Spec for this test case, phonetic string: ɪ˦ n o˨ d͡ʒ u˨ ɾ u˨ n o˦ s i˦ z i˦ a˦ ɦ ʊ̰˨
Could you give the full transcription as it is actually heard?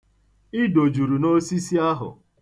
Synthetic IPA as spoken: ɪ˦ d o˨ d͡ʒ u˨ ɾ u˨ n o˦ s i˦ s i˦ a˦ ɦ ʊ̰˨